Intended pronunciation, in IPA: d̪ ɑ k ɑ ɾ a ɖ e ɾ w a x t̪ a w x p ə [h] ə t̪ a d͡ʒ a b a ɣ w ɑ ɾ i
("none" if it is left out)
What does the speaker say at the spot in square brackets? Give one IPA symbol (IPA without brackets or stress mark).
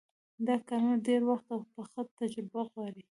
x